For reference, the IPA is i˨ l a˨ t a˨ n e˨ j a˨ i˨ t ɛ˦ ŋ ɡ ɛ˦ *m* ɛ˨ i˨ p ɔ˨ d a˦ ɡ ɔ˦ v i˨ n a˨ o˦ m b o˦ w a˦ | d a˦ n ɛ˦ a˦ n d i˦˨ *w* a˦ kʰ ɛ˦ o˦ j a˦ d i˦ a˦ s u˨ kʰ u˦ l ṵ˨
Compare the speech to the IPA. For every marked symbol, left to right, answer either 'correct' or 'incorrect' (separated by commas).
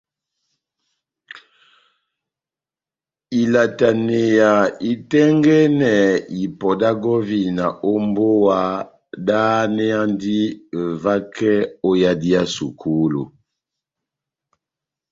incorrect, incorrect